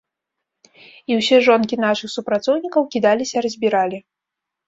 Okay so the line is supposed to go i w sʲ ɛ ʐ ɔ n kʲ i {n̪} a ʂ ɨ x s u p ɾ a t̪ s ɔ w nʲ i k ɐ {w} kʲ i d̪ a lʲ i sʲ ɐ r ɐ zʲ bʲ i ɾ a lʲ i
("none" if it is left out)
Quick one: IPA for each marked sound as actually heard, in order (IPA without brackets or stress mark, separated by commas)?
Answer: n̪, w